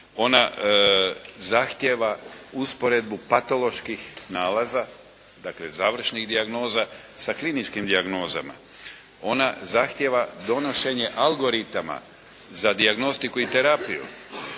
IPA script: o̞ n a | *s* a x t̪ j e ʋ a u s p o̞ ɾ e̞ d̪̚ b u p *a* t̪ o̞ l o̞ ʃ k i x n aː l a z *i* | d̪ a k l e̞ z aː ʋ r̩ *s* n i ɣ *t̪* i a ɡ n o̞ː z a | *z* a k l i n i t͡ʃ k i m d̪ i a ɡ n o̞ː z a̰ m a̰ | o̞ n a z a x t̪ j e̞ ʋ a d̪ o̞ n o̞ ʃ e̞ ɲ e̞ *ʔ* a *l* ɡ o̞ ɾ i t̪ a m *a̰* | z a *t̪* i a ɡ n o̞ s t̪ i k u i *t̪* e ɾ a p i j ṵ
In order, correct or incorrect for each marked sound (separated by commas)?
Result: incorrect, correct, incorrect, incorrect, incorrect, incorrect, correct, correct, correct, incorrect, correct